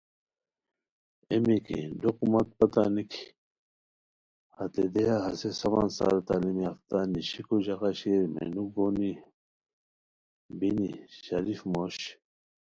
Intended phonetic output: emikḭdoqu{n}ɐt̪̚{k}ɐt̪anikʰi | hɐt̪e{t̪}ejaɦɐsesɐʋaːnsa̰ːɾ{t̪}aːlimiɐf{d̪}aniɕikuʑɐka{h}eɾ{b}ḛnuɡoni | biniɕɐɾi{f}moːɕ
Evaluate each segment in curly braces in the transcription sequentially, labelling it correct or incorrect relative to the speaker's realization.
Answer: incorrect: m, incorrect: p, incorrect: d̪, correct, incorrect: t̪, incorrect: ɕ, incorrect: m, correct

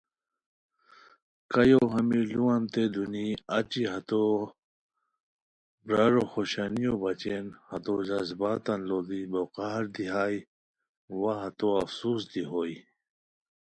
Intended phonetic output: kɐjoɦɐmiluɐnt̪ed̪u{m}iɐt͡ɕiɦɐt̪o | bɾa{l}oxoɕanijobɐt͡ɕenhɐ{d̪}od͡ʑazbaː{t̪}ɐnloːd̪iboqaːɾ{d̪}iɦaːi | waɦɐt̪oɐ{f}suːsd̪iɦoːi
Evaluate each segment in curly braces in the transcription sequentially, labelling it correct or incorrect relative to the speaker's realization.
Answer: incorrect: n, incorrect: ɾ, incorrect: t̪, correct, correct, correct

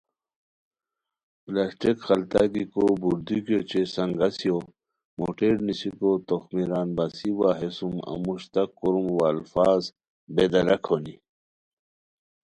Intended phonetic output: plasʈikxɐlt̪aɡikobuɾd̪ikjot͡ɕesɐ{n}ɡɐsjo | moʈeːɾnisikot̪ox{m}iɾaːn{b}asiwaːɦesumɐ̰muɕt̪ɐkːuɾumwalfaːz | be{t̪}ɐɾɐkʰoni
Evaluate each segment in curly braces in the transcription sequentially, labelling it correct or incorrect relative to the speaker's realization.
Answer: incorrect: ŋ, correct, correct, incorrect: d̪

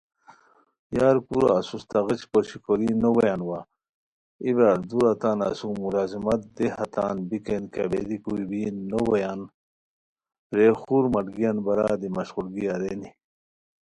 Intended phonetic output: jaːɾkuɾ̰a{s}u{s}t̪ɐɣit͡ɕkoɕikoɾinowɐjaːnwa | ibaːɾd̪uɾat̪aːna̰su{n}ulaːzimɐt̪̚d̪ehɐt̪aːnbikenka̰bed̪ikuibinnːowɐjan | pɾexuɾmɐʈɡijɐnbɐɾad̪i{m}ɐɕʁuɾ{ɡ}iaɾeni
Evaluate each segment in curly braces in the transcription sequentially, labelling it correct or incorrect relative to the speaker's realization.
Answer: correct, correct, incorrect: m, correct, correct

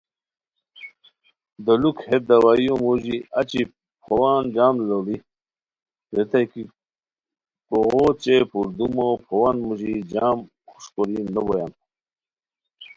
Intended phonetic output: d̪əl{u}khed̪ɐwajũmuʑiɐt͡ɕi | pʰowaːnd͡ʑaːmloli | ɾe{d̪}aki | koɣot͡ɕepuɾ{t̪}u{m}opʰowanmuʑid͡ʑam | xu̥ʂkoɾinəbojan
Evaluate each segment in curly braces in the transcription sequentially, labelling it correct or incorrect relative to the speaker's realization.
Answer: correct, incorrect: t̪, incorrect: d̪, correct

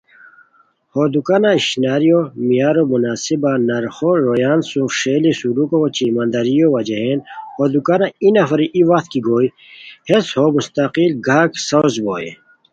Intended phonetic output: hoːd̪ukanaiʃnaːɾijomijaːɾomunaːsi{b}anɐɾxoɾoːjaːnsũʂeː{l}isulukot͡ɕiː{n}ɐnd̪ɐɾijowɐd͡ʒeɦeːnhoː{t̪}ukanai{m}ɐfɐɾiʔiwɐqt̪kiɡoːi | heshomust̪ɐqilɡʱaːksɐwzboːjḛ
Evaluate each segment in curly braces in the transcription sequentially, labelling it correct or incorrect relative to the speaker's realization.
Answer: correct, correct, incorrect: m, incorrect: d̪, incorrect: n

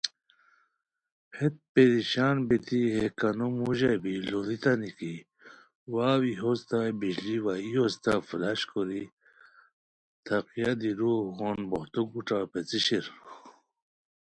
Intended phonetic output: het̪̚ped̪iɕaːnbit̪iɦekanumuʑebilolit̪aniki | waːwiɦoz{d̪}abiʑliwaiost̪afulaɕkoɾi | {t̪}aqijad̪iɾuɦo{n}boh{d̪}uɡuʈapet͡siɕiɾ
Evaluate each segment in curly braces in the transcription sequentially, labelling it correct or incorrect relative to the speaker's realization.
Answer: incorrect: t̪, incorrect: t̪ʰ, correct, incorrect: t̪

